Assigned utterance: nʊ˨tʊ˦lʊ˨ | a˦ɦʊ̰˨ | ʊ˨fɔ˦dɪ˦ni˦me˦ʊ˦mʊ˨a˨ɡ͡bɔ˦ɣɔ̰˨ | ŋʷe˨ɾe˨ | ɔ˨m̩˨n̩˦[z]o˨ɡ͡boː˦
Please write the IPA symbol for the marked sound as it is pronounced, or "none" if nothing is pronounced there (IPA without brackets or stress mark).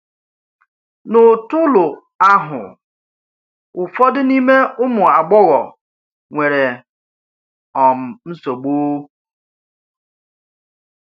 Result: s